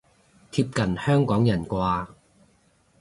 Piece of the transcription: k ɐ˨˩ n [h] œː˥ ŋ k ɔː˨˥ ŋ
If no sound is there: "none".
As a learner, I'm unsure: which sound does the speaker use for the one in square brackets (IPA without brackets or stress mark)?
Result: h